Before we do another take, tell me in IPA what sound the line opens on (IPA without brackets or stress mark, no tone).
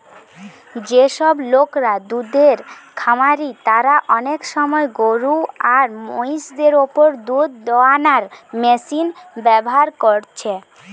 d͡ʑ